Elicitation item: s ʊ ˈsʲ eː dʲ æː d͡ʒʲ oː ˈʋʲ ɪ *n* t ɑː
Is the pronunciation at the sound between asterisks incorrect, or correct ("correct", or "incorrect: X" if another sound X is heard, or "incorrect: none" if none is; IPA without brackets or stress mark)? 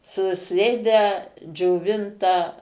correct